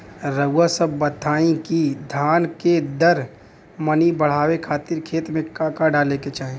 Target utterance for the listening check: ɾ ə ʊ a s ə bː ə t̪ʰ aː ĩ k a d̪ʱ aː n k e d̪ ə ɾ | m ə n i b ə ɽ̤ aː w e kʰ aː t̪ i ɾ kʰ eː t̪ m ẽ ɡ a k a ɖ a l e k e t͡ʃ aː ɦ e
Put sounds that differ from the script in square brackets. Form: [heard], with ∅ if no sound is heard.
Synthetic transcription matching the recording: ɾ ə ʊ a s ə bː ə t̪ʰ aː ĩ k [i] d̪ʱ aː n k e d̪ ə ɾ | m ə n i b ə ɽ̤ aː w e kʰ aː t̪ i ɾ kʰ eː t̪ m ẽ [k] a k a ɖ a l e k e t͡ʃ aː ɦ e

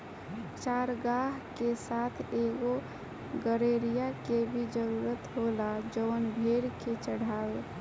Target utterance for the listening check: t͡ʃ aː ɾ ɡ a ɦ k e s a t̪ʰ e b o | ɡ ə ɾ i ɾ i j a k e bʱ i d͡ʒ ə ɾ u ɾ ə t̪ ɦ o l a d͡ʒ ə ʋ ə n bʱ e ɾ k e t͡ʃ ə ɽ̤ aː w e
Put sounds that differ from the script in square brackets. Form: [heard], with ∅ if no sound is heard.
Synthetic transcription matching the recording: t͡ʃ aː ɾ ɡ a ɦ k e s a t̪ʰ e [ɡ] o | ɡ ə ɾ [e] ɾ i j a k e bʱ i d͡ʒ ə ɾ u ɾ ə t̪ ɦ o l a d͡ʒ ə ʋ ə n bʱ e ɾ k e t͡ʃ ə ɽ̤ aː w e

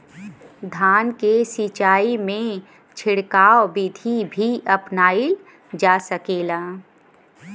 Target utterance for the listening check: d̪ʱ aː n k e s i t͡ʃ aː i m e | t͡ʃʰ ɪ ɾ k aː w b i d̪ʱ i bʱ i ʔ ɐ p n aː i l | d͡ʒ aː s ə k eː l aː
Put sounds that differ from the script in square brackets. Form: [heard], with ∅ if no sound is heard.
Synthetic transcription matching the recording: d̪ʱ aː n k e s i t͡ʃ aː i m [ẽ] | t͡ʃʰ ɪ [ɽ] k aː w b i d̪ʱ i bʱ i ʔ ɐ p n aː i l | d͡ʒ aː s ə k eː l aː

